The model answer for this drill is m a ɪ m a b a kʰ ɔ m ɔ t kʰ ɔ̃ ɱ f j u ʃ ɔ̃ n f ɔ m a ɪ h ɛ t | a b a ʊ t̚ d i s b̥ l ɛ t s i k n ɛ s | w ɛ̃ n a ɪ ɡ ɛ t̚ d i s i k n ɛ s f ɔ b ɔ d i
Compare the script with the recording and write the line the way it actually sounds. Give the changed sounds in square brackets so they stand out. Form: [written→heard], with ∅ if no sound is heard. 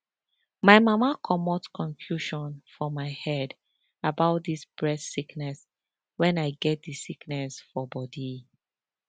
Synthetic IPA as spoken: m a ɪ m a [b→m] a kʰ ɔ m ɔ t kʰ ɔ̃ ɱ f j u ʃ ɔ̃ n f ɔ m a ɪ h ɛ [t→d] | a b a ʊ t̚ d i s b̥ [l→ɹ] ɛ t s i k n ɛ s | w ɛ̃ n a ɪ ɡ ɛ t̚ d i s i k n ɛ s f ɔ b ɔ d i